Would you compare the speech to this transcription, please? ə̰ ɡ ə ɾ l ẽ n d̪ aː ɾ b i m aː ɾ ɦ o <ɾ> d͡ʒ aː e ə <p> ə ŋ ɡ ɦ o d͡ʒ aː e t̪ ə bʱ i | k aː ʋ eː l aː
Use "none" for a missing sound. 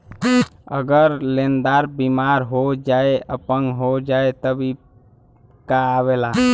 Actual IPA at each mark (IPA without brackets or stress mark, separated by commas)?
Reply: none, p